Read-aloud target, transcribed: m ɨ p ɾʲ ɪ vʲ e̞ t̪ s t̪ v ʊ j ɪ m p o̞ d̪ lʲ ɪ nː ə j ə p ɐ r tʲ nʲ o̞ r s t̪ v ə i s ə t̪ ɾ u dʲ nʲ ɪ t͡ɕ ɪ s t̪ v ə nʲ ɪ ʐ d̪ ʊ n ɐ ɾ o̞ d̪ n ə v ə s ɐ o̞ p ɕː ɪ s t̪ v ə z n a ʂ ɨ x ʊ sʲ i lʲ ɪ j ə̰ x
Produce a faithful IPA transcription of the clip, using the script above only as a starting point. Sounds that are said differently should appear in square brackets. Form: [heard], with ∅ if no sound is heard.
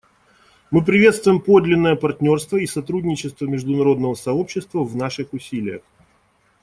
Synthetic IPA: m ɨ p ɾʲ ɪ vʲ e̞ t̪ s t̪ v ʊ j ɪ m p o̞ d̪ lʲ ɪ nː ə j ə p ɐ r tʲ nʲ o̞ r s t̪ v ə i s [ɐ] t̪ ɾ u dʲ nʲ ɪ t͡ɕ ɪ s t̪ v ə [mʲ] ɪ ʐ d̪ ʊ n ɐ ɾ o̞ d̪ n ə v ə s ɐ o̞ p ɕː ɪ s t̪ v ə [v] n a ʂ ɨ x ʊ sʲ i lʲ ɪ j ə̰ x

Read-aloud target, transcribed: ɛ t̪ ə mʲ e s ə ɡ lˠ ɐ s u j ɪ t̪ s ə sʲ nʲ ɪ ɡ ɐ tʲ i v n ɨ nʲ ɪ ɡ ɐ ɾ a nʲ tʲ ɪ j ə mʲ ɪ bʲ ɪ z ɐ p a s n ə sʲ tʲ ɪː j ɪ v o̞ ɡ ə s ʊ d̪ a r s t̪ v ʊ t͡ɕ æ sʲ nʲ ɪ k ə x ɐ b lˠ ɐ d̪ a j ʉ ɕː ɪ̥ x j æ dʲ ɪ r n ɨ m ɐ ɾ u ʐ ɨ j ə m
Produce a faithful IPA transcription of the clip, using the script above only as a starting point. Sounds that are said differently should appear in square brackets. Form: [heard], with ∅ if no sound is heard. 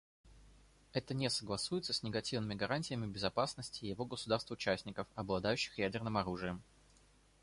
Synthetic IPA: ɛ t̪ ə [nʲ] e s ə ɡ lˠ ɐ s u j ɪ t̪ s ə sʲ nʲ ɪ ɡ ɐ tʲ i v n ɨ [mʲ] ɪ ɡ ɐ ɾ a nʲ tʲ ɪ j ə mʲ ɪ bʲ ɪ z ɐ p a s n ə sʲ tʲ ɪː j ɪ v o̞ ɡ ə s ʊ d̪ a r s t̪ v ʊ t͡ɕ æ sʲ nʲ ɪ k ə [f] ɐ b lˠ ɐ d̪ a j ʉ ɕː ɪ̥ x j æ dʲ ɪ r n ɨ m ɐ ɾ u ʐ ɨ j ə m

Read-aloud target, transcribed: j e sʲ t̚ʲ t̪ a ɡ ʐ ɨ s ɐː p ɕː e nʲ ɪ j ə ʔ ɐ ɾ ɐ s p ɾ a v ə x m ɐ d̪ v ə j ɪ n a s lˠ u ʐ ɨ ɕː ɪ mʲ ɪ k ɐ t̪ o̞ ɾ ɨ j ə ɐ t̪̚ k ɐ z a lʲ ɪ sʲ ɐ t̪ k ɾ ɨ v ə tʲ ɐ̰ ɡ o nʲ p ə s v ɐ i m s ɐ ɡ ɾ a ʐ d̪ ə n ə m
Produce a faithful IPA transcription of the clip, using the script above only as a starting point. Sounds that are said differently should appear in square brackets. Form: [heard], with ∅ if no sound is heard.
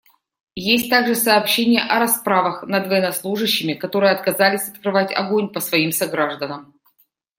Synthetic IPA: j e sʲ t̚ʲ t̪ a ɡ ʐ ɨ s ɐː p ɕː e nʲ ɪ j ə ʔ ɐ ɾ ɐ s p ɾ a v ə x [n] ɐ d̪ v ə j ɪ n [ɐ] s lˠ u ʐ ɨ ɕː ɪ mʲ ɪ k ɐ t̪ o̞ ɾ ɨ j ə ɐ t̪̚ k ɐ z a lʲ ɪ sʲ ɐ t̪ k ɾ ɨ v [a] tʲ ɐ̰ ɡ o nʲ p ə s v ɐ i m s ɐ ɡ ɾ a ʐ d̪ ə n ə m

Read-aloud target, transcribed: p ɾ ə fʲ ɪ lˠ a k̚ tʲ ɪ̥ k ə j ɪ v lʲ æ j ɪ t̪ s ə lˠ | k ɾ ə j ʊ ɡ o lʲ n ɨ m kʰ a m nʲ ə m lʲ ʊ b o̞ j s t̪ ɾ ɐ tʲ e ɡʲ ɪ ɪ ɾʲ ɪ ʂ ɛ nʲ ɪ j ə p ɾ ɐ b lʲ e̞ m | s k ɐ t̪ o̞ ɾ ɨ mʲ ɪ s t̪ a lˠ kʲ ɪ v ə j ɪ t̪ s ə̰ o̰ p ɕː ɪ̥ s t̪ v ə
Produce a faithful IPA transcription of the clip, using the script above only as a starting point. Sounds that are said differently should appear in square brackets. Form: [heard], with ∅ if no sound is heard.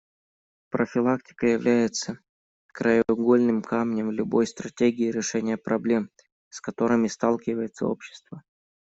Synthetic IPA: p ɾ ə fʲ ɪ lˠ a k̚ tʲ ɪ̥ k ə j ɪ v lʲ æ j ɪ t̪ s ə [∅] | k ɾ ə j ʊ ɡ o lʲ n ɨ m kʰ a m nʲ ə m lʲ ʊ b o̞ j s t̪ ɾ ɐ tʲ e ɡʲ ɪ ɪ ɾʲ ɪ ʂ ɛ nʲ ɪ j ə p ɾ ɐ b lʲ e̞ m | s k ɐ t̪ o̞ ɾ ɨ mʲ ɪ s t̪ a lˠ kʲ ɪ v ə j ɪ t̪ s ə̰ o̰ p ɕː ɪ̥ s t̪ v ə

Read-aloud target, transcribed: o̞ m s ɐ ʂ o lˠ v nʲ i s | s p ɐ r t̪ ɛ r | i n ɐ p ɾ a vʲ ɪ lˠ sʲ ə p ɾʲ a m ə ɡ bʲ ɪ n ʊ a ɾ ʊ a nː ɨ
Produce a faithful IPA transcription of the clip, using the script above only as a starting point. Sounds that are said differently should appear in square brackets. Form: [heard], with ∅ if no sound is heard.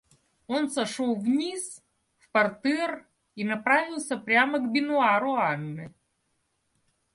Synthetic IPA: o̞ [n] s ɐ ʂ o lˠ v nʲ i s | [f] p ɐ r t̪ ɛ r | i n ɐ p ɾ a vʲ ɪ lˠ sʲ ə p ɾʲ a m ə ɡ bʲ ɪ n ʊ a ɾ ʊ a nː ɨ

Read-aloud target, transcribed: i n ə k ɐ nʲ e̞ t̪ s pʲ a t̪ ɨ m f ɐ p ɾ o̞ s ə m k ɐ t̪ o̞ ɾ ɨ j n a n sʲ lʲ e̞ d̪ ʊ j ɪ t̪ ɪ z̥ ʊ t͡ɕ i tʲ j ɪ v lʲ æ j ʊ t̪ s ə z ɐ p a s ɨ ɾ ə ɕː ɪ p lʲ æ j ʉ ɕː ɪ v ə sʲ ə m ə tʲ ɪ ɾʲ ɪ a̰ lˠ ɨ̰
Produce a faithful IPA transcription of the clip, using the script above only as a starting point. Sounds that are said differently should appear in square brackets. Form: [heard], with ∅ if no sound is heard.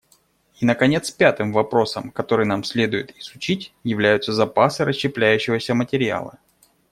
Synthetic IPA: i n ə k ɐ nʲ e̞ t̪ s pʲ a t̪ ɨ m [v] ɐ p ɾ o̞ s ə m k ɐ t̪ o̞ ɾ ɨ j n a [m] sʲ lʲ e̞ d̪ ʊ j ɪ t̪ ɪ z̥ ʊ t͡ɕ i tʲ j ɪ v lʲ æ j ʊ t̪ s ə z ɐ p a s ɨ ɾ ə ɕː ɪ p lʲ æ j ʉ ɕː ɪ v ə sʲ ə m ə tʲ ɪ ɾʲ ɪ a̰ lˠ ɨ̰

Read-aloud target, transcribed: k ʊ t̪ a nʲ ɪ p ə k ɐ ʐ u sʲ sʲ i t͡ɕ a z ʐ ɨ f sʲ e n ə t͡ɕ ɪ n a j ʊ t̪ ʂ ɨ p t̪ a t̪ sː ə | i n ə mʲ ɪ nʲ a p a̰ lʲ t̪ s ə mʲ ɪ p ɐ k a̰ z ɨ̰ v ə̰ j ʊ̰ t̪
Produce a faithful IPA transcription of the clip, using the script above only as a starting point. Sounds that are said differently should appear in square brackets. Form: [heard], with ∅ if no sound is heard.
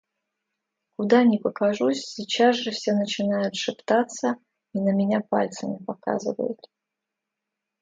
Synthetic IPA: k ʊ [d̪] a nʲ ɪ p ə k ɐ ʐ u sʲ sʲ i t͡ɕ a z ʐ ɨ f sʲ e n ə t͡ɕ ɪ n a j ʊ t̪ ʂ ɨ p t̪ a t̪ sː ə | i n ə mʲ ɪ nʲ a p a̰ lʲ t̪ s ə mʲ ɪ p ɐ k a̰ z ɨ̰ v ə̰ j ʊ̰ t̪

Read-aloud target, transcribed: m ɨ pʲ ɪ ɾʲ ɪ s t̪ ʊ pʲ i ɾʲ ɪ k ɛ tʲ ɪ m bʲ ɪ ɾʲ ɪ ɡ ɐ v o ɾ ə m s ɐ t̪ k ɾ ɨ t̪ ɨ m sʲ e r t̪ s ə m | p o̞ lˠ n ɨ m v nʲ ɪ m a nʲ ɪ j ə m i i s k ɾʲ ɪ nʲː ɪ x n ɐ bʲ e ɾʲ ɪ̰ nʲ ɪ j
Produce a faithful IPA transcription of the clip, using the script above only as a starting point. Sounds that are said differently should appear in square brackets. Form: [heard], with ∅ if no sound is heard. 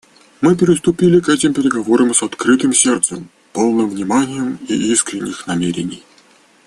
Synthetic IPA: m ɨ pʲ ɪ ɾʲ ɪ s t̪ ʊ pʲ i [lʲ] ɪ k ɛ tʲ ɪ m [pʲ] ɪ ɾʲ ɪ ɡ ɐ v o ɾ ə m s ɐ t̪ k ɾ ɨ t̪ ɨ m sʲ e r t̪ s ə m | p o̞ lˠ n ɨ m v nʲ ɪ m a nʲ ɪ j ə m i i s k ɾʲ ɪ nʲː ɪ x n ɐ [mʲ] e ɾʲ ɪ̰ nʲ ɪ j

